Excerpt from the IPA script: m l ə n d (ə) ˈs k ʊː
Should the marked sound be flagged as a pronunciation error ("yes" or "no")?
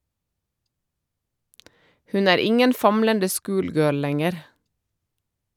no